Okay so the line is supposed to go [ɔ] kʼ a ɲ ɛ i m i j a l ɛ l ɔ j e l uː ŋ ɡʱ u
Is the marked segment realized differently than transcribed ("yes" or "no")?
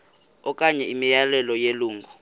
no